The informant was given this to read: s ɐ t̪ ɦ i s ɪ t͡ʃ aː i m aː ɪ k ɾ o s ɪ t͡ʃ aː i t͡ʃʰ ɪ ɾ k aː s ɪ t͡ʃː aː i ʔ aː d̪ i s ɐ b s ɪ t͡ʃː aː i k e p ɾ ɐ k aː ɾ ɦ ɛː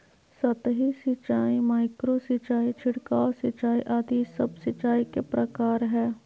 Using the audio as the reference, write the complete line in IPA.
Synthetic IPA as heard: s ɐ t̪ ɦ i s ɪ t͡ʃ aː i m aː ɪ k ɾ o s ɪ t͡ʃ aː i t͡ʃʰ ɪ ɽ k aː s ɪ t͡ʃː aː i ʔ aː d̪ i s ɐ b s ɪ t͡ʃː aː i k e p ɾ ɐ k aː ɾ ɦ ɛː